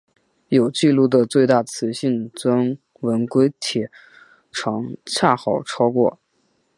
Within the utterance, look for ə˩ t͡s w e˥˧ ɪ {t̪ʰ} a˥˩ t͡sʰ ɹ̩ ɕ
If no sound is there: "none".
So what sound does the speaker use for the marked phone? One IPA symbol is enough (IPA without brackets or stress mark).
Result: t̪